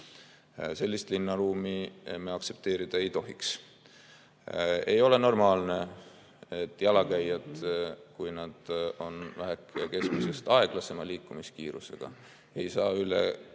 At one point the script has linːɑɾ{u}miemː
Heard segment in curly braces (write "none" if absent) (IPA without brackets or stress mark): uː